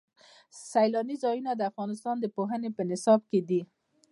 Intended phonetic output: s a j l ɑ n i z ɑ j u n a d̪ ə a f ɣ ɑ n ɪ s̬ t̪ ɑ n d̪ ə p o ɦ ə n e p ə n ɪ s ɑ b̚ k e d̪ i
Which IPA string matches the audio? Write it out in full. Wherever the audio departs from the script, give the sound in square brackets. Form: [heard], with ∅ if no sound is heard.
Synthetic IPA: s a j l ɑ n i z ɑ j u n a d̪ ə a f ɣ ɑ n ɪ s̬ t̪ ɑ n d̪ ə p o ɦ ə n e p ə n ɪ s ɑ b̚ k e d̪ i